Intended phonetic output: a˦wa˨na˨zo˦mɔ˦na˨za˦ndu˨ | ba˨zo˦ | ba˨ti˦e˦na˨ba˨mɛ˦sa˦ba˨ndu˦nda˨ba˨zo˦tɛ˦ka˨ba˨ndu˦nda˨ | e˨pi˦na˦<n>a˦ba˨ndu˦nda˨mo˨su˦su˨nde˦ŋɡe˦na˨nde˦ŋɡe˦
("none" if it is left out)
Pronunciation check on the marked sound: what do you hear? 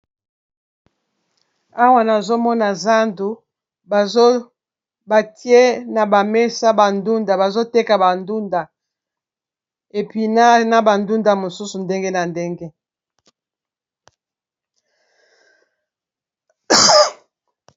n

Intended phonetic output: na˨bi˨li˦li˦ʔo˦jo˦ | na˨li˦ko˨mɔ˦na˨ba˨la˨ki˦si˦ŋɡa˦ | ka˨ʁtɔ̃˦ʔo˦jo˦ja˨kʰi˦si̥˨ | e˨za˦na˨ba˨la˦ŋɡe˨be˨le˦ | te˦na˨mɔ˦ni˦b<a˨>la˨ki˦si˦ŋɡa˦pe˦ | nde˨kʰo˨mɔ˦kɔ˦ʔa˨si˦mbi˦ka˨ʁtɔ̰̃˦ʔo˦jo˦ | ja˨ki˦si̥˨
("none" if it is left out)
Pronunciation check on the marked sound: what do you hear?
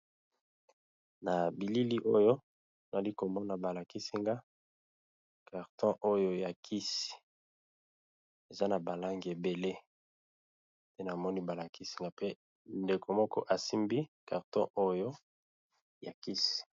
a˨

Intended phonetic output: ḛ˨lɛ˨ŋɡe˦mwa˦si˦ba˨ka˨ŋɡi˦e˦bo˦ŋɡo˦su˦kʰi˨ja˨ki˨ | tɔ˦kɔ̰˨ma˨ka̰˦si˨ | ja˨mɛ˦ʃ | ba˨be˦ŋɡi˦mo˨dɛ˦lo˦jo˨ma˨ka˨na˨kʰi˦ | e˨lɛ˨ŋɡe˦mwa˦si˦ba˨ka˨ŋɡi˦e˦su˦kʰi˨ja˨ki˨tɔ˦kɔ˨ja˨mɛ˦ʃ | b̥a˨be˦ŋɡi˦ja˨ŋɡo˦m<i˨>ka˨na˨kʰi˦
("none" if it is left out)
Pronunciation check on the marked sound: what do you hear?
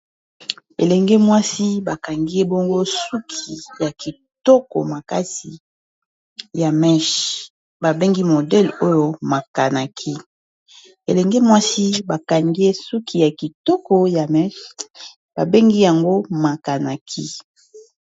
a˨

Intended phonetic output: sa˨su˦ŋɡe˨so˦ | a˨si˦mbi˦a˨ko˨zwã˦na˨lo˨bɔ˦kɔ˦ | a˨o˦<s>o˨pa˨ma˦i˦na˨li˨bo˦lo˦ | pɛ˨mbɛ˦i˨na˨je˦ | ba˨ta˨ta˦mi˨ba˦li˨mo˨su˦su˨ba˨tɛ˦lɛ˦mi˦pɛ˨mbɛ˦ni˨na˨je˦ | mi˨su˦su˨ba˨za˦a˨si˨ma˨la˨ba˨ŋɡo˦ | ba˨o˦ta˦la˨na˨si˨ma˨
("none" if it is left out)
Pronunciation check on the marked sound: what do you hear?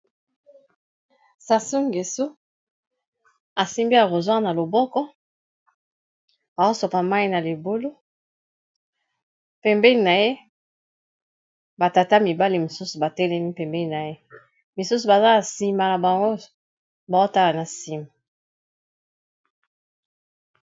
s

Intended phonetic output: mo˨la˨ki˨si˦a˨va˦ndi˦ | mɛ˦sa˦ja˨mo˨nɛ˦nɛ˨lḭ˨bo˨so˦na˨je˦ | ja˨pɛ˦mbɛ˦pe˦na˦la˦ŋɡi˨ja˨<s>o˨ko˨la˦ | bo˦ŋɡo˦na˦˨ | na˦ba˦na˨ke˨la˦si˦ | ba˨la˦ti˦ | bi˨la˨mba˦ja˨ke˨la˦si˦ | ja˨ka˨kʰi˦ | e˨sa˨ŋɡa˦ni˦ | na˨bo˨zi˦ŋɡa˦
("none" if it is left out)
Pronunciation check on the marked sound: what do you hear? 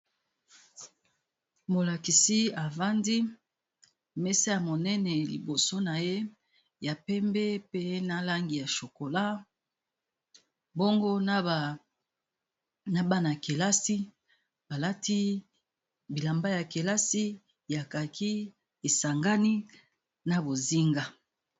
ʃ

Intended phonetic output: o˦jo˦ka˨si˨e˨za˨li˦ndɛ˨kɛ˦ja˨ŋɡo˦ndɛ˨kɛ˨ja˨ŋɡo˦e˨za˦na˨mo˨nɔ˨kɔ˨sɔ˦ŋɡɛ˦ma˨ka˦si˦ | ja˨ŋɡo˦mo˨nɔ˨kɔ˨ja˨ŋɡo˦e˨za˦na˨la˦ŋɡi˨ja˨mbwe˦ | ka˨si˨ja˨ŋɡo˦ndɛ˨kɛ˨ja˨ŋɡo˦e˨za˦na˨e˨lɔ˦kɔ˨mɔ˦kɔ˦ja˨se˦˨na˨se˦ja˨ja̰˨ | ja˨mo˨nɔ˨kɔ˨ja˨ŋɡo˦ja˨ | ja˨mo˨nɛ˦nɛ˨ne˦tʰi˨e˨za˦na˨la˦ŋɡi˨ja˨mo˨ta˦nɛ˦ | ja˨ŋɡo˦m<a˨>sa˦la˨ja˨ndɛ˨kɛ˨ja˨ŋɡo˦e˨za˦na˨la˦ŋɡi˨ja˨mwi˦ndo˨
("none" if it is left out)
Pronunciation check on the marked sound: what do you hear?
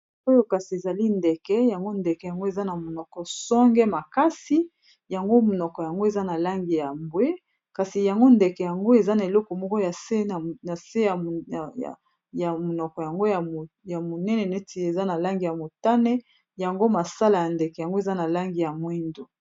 a˨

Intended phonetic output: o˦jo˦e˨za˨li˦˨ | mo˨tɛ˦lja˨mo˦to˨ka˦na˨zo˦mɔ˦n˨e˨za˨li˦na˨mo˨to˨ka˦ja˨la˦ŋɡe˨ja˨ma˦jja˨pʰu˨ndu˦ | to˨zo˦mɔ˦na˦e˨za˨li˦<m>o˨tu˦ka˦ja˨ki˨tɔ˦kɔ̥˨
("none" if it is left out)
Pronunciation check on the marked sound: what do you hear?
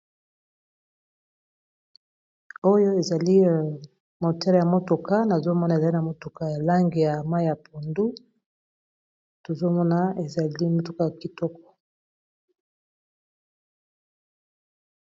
m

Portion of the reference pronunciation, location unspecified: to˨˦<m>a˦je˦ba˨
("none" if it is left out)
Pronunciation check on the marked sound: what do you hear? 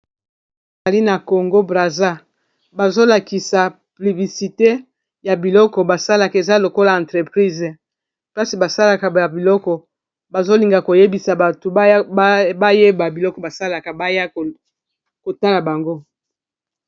b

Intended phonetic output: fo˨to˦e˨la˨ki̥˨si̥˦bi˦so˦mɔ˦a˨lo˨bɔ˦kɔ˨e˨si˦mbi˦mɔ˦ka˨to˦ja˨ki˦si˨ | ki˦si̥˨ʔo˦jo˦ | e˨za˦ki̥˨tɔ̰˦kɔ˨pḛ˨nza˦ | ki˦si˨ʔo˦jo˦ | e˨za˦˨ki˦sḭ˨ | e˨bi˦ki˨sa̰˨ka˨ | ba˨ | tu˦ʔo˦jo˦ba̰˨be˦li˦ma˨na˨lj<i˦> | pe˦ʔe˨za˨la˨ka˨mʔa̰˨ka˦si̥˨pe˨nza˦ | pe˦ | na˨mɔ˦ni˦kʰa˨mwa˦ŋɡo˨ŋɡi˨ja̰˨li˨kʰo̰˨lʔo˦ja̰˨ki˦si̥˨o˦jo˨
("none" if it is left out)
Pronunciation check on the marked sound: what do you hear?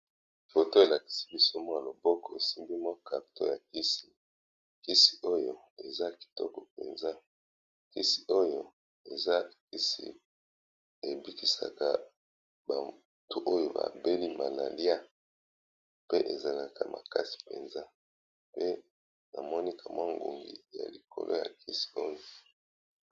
a˦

